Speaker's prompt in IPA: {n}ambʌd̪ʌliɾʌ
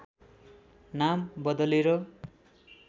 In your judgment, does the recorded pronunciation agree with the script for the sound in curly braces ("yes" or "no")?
yes